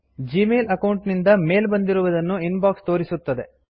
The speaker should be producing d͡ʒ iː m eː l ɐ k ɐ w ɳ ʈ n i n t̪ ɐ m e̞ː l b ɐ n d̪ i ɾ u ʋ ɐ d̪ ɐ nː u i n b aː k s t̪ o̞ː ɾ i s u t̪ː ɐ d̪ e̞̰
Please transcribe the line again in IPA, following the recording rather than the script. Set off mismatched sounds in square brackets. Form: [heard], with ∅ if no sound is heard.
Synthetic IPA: d͡ʒ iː m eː l ɐ k ɐ w ɳ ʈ n i n [d̪] ɐ m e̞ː l b ɐ n d̪ i ɾ u ʋ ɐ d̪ ɐ nː u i n b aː k s t̪ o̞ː ɾ i s u t̪ː ɐ d̪ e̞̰